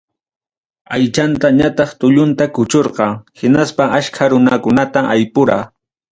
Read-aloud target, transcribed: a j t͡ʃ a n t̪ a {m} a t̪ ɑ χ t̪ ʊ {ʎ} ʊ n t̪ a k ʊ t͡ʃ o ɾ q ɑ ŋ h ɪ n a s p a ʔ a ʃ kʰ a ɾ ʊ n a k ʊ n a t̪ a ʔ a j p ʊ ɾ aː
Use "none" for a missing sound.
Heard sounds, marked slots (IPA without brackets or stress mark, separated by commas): ɲ, ʎ